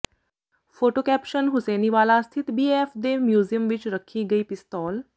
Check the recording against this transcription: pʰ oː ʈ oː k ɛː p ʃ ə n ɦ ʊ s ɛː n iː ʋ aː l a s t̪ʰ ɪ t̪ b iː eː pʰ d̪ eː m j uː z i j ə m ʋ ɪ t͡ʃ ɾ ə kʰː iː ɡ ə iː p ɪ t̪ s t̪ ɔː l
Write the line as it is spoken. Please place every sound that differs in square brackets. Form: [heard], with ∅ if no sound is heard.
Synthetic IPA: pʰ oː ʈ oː k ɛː p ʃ ə n ɦ ʊ s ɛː n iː ʋ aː l a s t̪ʰ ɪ t̪ b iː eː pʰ d̪ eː m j uː z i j ə m ʋ ɪ t͡ʃ ɾ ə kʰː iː ɡ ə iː p ɪ [∅] s t̪ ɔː l